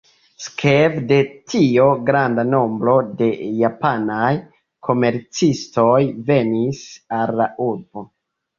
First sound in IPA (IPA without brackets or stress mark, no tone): s